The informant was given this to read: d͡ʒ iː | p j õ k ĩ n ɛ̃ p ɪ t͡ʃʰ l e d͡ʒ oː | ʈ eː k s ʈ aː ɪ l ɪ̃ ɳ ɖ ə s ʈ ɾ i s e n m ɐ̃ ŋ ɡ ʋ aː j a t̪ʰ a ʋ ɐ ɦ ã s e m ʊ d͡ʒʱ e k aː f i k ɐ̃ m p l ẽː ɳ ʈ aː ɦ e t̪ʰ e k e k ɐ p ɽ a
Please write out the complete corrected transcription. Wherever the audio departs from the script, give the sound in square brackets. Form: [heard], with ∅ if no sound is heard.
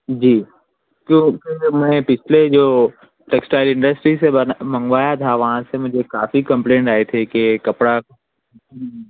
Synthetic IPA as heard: d͡ʒ iː | [k] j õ k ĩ [m] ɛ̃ p ɪ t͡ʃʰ l e d͡ʒ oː | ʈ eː k s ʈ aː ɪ l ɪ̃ ɳ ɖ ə s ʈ ɾ i s e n m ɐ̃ ŋ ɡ ʋ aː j a t̪ʰ a ʋ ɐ ɦ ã s e m ʊ d͡ʒʱ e k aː f i k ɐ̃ m p l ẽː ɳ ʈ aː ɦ e t̪ʰ e k e k ɐ p ɽ a

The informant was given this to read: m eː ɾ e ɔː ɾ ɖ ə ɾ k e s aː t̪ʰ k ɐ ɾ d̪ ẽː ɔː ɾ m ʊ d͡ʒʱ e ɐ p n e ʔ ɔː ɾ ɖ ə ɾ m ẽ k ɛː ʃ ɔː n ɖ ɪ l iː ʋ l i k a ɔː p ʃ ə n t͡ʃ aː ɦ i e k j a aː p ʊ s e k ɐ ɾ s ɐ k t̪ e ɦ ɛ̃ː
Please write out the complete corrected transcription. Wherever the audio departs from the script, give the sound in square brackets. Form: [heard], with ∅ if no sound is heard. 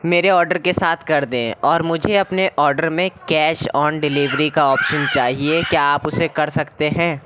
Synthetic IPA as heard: m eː ɾ e ɔː ɾ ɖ ə ɾ k e s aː t̪ʰ k ɐ ɾ d̪ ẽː ɔː ɾ m ʊ d͡ʒʱ e ɐ p n e ʔ ɔː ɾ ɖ ə ɾ m ẽ k ɛː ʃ ɔː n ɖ ɪ l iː ʋ [ɾ] i k a ɔː p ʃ ə n t͡ʃ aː ɦ i e k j a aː p ʊ s e k ɐ ɾ s ɐ k t̪ e ɦ ɛ̃ː

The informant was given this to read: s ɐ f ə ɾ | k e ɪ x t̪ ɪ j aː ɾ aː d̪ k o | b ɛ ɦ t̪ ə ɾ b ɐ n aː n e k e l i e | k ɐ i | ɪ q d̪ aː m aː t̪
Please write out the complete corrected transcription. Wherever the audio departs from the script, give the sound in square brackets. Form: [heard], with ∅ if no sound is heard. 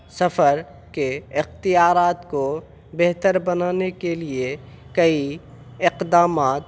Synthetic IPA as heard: s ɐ f ə ɾ | k e ɪ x t̪ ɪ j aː ɾ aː [t̪] k o | b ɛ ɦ t̪ ə ɾ b ɐ n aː n e k e l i e | k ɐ i | ɪ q d̪ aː m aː t̪

